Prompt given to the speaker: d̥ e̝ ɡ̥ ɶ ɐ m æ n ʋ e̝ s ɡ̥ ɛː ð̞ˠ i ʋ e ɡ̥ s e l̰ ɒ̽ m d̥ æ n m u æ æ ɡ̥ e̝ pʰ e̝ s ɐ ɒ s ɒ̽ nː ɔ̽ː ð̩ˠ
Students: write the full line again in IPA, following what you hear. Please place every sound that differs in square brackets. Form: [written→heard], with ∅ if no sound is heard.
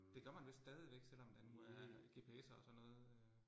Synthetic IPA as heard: d̥ e̝ ɡ̥ ɶ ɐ m æ n ʋ e̝ s [ɡ̥→d̥] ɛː ð̞ˠ i ʋ e ɡ̥ s e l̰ ɒ̽ m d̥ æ n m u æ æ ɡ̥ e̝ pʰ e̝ s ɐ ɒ s ɒ̽ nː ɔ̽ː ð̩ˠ